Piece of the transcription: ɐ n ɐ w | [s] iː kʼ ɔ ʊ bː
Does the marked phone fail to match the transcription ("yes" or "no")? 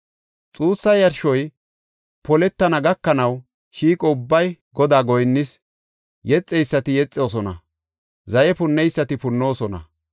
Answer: yes